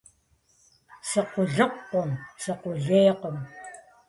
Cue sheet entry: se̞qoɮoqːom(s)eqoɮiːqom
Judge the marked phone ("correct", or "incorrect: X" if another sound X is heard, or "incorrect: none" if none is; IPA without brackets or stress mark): correct